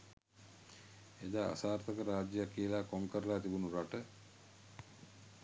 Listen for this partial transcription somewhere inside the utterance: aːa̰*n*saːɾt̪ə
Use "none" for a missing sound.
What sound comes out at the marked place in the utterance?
none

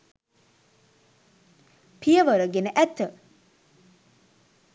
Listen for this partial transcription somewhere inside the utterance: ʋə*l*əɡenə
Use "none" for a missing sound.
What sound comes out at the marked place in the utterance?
ɾ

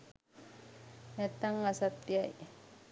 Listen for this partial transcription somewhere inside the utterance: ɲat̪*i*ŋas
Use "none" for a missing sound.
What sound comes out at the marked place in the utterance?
a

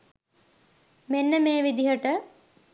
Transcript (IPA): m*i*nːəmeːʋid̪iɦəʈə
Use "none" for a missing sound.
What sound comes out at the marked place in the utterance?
e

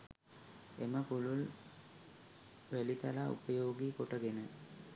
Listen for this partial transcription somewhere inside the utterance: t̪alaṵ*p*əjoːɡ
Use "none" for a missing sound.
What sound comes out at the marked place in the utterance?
p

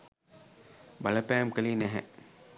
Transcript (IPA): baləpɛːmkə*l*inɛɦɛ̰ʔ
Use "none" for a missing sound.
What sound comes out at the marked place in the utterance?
l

